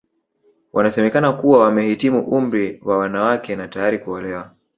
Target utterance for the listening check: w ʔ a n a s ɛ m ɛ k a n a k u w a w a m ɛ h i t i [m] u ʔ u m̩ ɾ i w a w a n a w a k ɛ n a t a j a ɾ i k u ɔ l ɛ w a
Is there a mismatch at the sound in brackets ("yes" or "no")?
no